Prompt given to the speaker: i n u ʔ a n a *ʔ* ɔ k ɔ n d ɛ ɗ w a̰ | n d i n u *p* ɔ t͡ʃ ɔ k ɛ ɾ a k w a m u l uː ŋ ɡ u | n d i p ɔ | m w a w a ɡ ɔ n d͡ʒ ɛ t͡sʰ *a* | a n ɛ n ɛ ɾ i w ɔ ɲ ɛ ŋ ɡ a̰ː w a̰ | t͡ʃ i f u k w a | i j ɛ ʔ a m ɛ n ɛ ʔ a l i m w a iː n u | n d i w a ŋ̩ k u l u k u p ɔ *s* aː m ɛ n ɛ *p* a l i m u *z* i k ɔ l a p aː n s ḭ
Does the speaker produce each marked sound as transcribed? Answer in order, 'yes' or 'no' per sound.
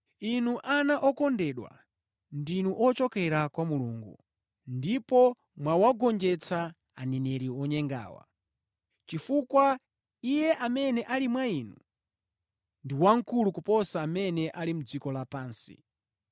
yes, no, yes, yes, no, no

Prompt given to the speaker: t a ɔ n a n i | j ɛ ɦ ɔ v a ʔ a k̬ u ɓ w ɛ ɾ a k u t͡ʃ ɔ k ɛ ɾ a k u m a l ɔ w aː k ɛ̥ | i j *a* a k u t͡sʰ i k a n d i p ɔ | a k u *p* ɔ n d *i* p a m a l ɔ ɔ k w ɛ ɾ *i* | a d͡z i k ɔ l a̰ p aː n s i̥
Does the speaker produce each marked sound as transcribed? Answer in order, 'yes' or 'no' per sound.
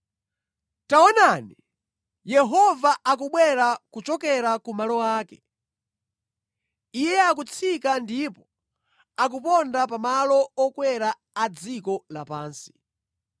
no, yes, no, no

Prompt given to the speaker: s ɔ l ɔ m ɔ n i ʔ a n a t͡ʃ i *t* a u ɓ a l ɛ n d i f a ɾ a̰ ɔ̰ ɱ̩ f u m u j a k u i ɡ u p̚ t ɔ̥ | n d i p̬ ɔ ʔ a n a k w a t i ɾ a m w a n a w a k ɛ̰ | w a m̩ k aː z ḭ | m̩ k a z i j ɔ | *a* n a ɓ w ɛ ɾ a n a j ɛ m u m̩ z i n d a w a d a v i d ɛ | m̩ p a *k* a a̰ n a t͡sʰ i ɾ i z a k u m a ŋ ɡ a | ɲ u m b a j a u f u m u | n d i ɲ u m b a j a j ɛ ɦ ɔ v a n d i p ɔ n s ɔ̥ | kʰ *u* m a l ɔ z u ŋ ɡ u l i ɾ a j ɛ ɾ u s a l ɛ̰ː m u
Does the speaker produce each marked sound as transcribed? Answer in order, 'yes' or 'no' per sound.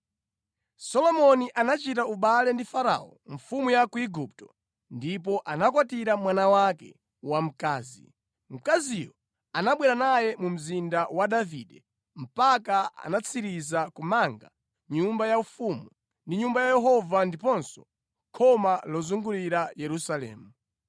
yes, yes, yes, no

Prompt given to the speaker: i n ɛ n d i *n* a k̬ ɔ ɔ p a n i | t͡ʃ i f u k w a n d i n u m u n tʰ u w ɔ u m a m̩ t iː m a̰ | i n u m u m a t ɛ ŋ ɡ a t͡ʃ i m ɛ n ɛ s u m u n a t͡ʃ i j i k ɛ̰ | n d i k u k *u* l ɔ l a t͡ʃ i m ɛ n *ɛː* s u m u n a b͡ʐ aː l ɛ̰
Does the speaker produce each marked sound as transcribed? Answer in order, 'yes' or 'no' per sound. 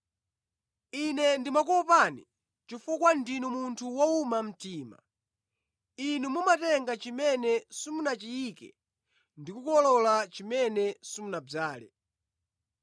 no, no, no

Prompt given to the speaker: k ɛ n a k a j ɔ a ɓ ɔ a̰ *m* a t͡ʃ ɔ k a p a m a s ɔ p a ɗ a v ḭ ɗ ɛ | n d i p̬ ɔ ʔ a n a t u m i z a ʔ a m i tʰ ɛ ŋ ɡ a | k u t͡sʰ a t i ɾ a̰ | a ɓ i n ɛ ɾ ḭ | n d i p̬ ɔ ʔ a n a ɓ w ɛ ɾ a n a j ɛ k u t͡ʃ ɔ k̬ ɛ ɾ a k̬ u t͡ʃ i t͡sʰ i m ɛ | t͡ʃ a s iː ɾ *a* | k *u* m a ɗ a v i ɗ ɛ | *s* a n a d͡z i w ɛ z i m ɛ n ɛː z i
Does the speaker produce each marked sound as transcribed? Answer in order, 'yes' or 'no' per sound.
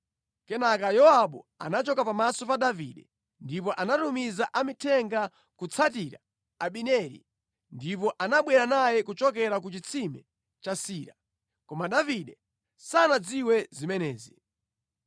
no, yes, no, yes

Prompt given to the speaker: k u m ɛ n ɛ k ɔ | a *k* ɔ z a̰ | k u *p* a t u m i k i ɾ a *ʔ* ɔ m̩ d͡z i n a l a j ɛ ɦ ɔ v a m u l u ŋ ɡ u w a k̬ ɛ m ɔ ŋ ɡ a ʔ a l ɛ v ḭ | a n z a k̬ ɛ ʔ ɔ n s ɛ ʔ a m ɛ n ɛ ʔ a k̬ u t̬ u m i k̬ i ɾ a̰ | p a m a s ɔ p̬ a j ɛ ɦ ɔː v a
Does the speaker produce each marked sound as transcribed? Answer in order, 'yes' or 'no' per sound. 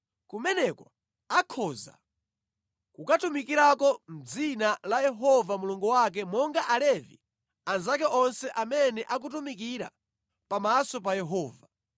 no, no, no

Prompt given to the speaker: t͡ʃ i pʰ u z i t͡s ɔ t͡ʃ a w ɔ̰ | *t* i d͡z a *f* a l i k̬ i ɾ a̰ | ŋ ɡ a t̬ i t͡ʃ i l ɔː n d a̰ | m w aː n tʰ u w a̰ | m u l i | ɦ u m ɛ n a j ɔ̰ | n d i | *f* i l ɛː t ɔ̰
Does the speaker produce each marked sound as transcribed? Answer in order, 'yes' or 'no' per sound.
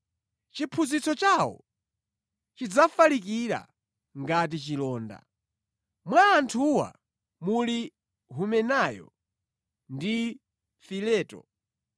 no, yes, yes

